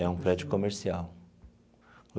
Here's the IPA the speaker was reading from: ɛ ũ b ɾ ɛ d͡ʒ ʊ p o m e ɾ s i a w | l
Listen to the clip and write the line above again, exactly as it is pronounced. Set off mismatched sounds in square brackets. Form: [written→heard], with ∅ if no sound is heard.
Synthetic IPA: ɛ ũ [b→p] ɾ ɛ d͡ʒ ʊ [p→k] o m e ɾ s i a w | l